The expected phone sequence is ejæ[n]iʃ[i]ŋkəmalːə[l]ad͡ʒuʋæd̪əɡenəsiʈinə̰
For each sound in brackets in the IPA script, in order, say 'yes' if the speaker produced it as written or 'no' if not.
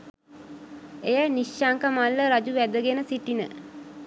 yes, no, no

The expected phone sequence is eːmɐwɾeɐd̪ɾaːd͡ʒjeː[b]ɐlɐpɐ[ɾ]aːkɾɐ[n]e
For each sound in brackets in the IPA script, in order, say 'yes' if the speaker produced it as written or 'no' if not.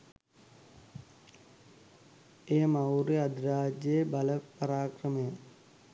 yes, yes, no

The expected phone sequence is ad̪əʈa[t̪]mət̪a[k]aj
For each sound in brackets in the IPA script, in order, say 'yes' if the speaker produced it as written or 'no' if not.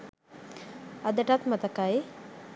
yes, yes

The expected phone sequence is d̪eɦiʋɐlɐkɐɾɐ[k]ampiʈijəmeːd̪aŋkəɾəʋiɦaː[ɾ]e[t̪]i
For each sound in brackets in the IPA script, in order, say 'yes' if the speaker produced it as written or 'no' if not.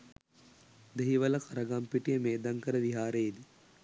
no, yes, no

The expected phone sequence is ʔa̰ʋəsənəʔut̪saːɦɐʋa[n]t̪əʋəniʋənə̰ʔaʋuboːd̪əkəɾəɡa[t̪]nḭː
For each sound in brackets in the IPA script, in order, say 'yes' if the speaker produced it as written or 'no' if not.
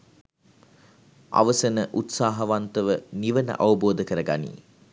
yes, no

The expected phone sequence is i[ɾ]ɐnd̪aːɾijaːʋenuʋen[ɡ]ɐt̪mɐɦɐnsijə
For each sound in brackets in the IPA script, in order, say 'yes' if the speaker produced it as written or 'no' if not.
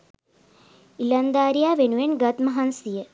no, yes

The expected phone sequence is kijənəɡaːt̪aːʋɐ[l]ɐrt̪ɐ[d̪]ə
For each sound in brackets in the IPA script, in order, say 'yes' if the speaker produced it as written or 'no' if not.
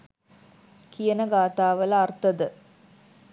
yes, yes

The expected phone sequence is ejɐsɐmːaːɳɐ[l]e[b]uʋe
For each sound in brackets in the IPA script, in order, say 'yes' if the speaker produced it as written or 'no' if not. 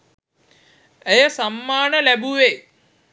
yes, yes

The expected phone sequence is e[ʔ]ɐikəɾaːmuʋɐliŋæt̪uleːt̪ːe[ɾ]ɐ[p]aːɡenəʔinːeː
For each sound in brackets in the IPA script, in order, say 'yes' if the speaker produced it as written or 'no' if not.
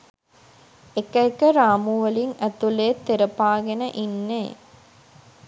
no, yes, yes

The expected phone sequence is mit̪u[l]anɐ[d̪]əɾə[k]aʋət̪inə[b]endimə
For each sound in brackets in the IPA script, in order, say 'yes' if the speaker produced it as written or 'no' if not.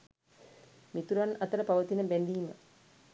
no, no, no, yes

